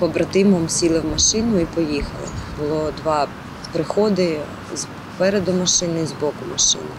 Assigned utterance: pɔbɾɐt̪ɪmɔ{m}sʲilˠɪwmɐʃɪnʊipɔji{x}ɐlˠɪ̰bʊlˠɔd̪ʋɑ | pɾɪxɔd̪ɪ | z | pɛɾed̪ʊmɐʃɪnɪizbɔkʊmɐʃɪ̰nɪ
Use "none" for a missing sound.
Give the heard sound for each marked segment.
m, x

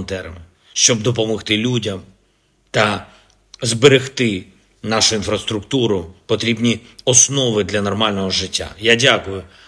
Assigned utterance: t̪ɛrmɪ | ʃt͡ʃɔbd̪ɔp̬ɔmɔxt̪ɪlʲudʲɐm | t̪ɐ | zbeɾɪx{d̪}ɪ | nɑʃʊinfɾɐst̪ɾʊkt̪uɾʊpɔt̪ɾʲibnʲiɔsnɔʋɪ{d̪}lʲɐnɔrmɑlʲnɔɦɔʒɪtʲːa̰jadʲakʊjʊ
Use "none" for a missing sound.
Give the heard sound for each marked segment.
t̪, d̪

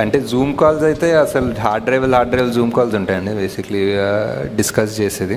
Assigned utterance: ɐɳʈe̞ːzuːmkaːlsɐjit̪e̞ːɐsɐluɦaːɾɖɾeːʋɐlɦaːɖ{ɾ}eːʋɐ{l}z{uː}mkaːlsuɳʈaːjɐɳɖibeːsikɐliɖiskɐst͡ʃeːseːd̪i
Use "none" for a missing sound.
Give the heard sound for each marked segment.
ɾ, l, uː

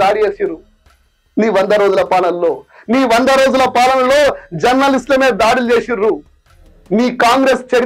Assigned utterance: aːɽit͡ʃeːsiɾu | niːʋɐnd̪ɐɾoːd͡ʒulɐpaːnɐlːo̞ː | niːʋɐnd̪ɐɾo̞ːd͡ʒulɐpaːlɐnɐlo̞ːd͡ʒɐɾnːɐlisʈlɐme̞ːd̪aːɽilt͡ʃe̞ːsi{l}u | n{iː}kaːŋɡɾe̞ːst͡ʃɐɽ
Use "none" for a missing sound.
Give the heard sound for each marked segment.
ɾ, iː

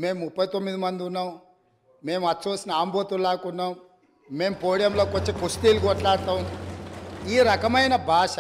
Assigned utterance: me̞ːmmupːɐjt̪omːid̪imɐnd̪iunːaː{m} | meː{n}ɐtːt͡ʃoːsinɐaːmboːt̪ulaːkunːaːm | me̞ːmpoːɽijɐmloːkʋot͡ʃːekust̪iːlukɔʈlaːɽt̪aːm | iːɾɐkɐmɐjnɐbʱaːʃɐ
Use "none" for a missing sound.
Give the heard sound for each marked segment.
m, m

